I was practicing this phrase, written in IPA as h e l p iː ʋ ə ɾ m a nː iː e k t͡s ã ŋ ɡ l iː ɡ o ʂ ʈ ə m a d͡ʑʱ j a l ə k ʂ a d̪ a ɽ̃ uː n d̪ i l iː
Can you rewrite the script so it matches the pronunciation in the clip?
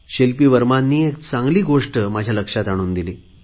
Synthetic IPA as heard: ɕ e l p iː ʋ ə ɾ m a nː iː e k t͡s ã ŋ ɡ l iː ɡ o ʂ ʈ ə m a d͡ʑʱ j a l ə k ʂ a t̪ a ɽ̃ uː n d̪ i l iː